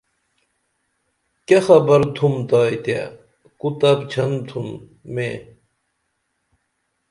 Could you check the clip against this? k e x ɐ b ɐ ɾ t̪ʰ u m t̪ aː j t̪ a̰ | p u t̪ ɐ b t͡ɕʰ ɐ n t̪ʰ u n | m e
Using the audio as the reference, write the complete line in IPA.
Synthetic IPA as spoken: k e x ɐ b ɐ ɾ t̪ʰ u m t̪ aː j t̪ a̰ | k u t̪ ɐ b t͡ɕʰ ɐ n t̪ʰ u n | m e